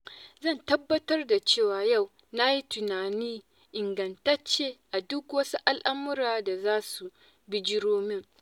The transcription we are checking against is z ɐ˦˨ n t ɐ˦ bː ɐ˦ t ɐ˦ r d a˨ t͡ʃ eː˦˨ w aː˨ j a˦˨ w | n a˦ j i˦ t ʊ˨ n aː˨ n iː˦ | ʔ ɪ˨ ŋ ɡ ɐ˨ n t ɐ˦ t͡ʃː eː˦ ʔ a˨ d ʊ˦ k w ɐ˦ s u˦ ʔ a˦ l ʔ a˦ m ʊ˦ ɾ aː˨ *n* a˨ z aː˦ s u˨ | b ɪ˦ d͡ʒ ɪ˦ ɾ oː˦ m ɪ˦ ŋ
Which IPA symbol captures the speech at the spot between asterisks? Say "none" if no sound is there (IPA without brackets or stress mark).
d